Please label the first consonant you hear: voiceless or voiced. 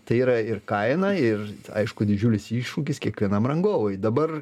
voiceless